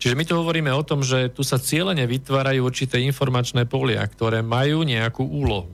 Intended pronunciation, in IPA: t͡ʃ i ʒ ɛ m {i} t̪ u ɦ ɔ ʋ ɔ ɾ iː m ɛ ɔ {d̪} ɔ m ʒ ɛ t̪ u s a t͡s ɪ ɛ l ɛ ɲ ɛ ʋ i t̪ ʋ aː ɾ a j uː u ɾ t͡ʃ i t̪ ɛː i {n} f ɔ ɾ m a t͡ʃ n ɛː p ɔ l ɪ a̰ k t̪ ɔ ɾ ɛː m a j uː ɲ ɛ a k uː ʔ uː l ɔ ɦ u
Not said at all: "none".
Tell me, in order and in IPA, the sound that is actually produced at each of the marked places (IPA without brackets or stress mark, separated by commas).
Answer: i, t̪, n